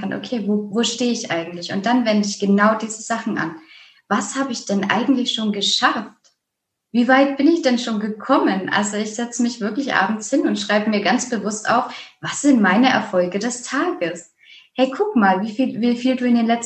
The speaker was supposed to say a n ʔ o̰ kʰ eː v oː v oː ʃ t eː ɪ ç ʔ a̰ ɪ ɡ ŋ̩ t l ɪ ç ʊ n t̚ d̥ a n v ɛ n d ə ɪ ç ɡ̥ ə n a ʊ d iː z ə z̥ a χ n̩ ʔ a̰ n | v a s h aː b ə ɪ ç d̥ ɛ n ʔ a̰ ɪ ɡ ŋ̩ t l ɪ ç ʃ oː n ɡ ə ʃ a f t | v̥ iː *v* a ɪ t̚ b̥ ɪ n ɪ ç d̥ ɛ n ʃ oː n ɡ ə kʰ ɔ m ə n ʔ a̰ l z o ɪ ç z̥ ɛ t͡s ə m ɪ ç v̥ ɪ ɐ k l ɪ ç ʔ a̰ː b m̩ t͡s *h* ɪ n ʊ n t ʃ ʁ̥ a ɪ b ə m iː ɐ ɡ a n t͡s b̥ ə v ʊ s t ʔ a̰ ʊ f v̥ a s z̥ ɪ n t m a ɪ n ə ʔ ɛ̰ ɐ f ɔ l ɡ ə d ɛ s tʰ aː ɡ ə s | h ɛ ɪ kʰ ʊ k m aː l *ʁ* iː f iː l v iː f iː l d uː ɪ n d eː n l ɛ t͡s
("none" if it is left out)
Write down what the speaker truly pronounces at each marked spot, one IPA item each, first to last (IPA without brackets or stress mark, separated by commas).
v, h, v